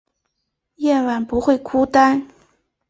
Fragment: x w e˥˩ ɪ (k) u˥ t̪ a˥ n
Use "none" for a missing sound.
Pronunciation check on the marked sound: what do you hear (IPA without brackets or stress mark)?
kʰ